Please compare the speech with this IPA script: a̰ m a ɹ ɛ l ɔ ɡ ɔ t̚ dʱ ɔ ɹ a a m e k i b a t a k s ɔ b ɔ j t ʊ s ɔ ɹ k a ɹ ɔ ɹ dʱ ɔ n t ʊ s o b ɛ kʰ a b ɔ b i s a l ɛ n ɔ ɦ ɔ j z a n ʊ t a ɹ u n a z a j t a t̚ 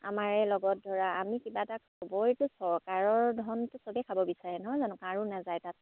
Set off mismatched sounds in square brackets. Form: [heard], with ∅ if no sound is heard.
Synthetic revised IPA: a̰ m a ɹ ɛ l ɔ ɡ ɔ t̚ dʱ ɔ ɹ a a m [i] k i b a t a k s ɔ b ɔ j t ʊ s ɔ ɹ k a ɹ ɔ ɹ dʱ ɔ n t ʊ s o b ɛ kʰ a b ɔ b i s a [ɹ] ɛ n ɔ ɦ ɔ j z a n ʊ [k] a ɹ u n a z a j t a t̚